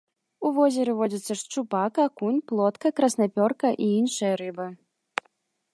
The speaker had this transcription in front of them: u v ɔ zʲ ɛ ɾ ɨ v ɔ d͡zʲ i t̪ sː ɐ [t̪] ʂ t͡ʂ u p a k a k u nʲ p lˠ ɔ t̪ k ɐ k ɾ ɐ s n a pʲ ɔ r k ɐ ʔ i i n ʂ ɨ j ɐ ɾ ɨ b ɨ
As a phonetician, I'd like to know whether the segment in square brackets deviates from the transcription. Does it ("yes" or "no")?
yes